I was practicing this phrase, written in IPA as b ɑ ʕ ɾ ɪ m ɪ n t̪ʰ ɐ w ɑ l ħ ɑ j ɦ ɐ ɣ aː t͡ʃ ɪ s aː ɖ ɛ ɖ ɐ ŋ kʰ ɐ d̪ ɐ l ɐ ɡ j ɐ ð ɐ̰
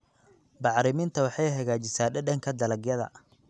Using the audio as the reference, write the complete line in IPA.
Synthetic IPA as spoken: b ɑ ʕ ɾ ɪ m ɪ n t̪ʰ ɐ w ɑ ħ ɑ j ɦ ɐ ɣ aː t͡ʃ ɪ s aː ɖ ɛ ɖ ɐ ŋ kʰ ɐ d̪ ɐ l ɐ ɡ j ɐ ð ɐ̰